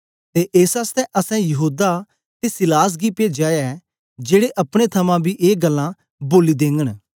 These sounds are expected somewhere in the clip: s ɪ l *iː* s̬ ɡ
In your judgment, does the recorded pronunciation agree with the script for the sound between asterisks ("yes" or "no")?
no